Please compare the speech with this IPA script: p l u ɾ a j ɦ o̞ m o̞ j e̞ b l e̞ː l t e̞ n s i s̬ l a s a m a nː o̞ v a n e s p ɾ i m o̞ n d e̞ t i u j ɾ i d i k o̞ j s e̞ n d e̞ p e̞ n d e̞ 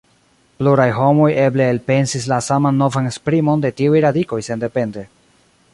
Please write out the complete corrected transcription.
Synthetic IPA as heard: p l u ɾ a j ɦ o̞ m o̞ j e̞ b l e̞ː l p e̞ n s i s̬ l a s a m a nː o̞ v a n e s p ɾ i m o̞ n d e̞ t i u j ɾ a d i k o̞ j s e̞ n d e̞ p e̞ n d e̞